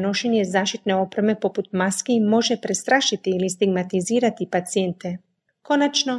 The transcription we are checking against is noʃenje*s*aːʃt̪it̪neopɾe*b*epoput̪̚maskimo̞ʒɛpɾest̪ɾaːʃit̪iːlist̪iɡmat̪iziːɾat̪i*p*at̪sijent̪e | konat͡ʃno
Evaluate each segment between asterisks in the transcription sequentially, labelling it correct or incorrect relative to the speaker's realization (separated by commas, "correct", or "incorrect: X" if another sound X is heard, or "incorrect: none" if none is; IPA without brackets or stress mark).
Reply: incorrect: z, incorrect: m, correct